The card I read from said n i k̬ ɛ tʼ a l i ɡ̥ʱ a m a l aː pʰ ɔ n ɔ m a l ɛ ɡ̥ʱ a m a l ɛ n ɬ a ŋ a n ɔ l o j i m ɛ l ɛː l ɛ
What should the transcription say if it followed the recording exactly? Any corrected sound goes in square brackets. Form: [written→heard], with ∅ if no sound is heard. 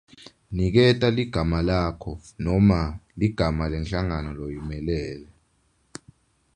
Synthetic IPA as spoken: n i k̬ ɛ tʼ a l i ɡ̥ʱ a m a l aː [pʰ→kʰ] ɔ n ɔ m a l [ɛ→i] ɡ̥ʱ a m a l ɛ n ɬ a ŋ a n ɔ l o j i m ɛ l ɛː l ɛ